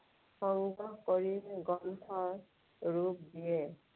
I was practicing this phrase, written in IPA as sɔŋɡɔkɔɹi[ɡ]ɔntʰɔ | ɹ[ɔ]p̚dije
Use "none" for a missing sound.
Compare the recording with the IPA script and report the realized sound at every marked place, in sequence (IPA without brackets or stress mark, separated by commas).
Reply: ɡ, u